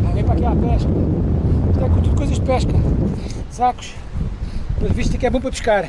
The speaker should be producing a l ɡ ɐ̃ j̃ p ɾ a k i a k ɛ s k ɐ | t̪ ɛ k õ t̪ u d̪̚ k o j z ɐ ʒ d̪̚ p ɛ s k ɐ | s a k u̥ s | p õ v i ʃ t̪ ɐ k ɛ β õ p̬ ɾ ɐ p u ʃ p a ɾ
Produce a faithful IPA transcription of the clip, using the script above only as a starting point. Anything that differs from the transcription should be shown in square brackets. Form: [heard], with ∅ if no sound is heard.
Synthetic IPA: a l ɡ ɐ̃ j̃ p ɾ a k i a [p] ɛ [ʃ] k ɐ | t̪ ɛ k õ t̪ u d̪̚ k o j z ɐ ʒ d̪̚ p ɛ [ʃ] k ɐ | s a k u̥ [ʃ] | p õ v i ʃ t̪ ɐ k ɛ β õ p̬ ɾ ɐ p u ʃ [k] a ɾ